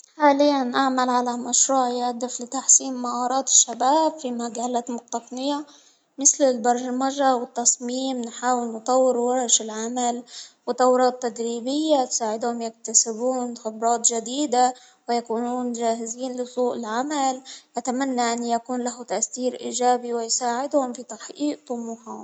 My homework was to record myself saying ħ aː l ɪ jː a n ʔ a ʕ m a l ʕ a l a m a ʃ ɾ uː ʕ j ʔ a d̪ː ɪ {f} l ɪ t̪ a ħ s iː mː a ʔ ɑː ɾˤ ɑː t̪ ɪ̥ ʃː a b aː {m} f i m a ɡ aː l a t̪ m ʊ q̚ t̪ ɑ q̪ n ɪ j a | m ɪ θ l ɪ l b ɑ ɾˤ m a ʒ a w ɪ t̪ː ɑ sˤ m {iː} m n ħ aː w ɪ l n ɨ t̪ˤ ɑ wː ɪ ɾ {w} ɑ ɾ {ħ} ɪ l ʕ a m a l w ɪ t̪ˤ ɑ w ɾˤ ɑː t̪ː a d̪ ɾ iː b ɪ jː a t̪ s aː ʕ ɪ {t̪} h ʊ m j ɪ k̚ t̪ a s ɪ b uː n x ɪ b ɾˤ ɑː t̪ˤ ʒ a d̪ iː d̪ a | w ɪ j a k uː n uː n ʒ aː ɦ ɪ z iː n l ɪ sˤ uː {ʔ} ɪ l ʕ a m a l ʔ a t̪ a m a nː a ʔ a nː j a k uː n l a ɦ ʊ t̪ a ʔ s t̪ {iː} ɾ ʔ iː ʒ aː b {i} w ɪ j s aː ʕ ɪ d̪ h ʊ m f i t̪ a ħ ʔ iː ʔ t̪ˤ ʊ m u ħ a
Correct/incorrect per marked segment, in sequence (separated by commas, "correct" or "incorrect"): correct, incorrect, correct, correct, incorrect, incorrect, correct, correct, correct